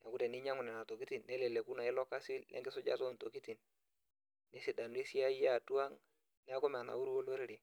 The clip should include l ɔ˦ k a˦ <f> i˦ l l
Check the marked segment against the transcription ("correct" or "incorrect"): incorrect